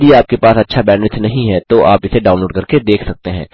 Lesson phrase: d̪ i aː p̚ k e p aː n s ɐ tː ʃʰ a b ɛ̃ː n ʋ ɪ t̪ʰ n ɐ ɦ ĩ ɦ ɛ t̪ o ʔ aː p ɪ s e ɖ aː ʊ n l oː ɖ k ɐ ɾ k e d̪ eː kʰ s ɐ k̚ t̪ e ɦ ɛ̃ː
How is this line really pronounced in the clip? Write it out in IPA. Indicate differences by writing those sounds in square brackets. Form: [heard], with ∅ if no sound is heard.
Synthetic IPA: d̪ i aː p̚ k e p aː [∅] s ɐ tː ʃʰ a b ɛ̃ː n ʋ ɪ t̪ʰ n ɐ ɦ ĩ ɦ ɛ t̪ o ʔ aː p ɪ s e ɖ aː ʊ n l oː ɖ k ɐ ɾ k e d̪ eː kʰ s ɐ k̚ t̪ e ɦ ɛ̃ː